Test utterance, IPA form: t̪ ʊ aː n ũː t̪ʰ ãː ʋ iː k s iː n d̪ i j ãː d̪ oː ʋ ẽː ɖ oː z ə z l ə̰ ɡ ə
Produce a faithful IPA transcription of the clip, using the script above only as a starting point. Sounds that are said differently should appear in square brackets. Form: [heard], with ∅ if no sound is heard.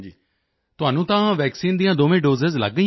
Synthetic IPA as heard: t̪ ʊ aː n ũː [t̪] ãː ʋ [ɛː] k s iː n d̪ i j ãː d̪ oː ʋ ẽː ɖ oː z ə z l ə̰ ɡ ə